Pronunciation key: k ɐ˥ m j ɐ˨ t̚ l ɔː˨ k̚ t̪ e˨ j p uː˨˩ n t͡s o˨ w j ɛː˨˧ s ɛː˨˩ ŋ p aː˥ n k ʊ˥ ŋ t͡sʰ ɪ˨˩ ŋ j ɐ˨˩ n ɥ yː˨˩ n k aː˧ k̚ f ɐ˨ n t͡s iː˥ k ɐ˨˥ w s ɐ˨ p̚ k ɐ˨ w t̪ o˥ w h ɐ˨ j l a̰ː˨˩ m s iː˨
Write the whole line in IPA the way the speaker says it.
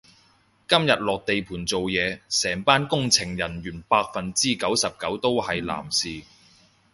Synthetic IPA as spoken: k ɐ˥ m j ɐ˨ t̚ l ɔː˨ k̚ t̪ e˨ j pʰ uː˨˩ n t͡s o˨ w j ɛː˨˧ s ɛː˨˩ ŋ p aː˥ n k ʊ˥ ŋ t͡sʰ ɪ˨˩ ŋ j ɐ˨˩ n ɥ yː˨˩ n p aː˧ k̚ f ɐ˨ n t͡s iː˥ k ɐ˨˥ w s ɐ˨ p̚ k ɐ˨˥ w t̪ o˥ w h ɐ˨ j l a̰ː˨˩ m s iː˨